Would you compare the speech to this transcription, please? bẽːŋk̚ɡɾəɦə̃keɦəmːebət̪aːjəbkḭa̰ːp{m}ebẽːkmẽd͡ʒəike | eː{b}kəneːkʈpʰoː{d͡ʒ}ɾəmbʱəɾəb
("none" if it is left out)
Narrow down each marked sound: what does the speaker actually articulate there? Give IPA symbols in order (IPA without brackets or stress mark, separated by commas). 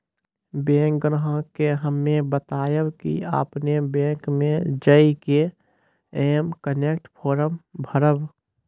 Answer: n, m, none